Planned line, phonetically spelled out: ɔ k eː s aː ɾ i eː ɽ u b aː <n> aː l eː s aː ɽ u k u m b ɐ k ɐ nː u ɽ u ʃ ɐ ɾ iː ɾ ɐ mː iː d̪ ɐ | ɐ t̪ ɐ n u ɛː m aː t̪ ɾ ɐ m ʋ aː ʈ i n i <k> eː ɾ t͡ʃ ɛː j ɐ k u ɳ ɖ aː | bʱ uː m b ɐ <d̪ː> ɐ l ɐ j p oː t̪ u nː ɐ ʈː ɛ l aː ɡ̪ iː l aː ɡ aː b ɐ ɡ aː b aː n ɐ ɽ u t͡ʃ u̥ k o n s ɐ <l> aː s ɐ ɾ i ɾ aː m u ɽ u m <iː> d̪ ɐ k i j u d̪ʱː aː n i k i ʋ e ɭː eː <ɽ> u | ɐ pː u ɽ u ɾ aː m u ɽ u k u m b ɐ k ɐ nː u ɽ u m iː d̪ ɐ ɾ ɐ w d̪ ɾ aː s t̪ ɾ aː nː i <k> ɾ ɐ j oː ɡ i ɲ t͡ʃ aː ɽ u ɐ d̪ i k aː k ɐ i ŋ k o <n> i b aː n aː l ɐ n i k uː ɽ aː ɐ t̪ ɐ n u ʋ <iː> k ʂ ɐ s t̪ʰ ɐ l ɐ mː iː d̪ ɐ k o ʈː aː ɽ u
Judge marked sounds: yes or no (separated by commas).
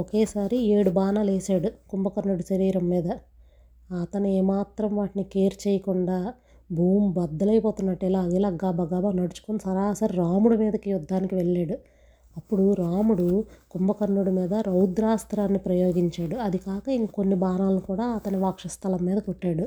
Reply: yes, yes, yes, no, yes, yes, no, no, no